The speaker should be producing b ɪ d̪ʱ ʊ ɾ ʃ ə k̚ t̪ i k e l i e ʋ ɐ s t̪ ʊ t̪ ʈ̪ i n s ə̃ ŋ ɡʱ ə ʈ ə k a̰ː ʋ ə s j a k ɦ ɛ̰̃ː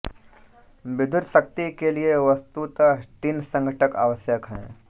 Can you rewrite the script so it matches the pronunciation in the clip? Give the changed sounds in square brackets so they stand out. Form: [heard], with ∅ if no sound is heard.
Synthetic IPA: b ɪ d̪ʱ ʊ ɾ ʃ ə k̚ t̪ i k e l i e ʋ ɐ s t̪ [u] t̪ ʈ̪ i n s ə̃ ŋ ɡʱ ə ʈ ə k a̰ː ʋ ə s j [ə] k ɦ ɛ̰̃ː